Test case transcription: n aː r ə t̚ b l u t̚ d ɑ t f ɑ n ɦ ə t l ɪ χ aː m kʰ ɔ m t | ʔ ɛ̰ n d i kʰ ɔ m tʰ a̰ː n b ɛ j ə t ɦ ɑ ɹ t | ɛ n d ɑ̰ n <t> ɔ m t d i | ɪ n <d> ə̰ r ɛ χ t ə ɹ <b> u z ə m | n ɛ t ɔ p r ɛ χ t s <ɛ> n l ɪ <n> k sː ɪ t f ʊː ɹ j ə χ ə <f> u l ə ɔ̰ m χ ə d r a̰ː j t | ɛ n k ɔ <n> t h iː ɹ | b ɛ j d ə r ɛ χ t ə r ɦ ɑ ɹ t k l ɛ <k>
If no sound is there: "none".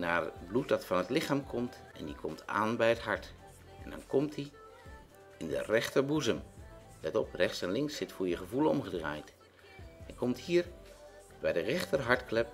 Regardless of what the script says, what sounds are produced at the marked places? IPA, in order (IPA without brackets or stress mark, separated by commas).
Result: k, d, b, ɛ, ŋ, v, m, p